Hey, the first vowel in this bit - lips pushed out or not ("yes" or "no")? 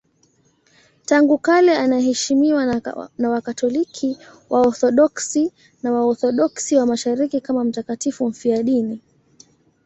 no